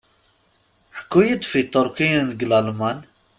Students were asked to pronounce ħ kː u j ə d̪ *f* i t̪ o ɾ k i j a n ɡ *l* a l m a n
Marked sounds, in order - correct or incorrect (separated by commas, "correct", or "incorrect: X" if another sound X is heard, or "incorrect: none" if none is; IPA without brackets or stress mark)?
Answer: correct, correct